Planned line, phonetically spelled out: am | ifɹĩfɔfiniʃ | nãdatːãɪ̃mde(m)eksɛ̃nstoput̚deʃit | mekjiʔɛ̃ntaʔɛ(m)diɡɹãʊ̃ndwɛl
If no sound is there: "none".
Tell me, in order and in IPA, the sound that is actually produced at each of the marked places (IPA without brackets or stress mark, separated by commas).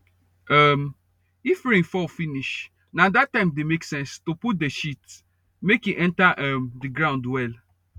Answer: m, m